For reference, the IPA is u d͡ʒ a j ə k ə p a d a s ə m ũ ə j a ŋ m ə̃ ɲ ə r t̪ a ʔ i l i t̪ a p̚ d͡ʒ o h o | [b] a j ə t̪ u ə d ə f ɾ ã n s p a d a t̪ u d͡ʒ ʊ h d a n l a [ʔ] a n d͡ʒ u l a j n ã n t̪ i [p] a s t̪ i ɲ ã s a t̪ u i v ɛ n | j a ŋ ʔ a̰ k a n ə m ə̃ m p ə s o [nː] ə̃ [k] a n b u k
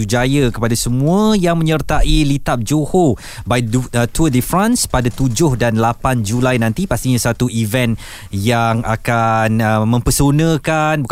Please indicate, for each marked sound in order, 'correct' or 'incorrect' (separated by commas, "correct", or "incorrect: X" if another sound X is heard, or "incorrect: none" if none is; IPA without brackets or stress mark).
correct, incorrect: p, correct, incorrect: n, correct